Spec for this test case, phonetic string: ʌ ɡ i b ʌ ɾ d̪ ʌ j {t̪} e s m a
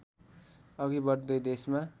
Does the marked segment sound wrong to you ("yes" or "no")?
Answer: yes